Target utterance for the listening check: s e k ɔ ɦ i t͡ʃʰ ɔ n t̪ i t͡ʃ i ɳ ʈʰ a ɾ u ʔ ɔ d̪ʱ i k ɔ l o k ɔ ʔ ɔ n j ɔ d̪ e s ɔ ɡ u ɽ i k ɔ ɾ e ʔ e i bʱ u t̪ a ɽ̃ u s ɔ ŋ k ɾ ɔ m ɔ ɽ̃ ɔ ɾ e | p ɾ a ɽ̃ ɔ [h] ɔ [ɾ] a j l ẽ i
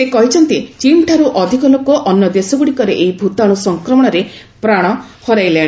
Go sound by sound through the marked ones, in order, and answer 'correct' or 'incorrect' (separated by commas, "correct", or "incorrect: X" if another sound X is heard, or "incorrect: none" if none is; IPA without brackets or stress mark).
correct, correct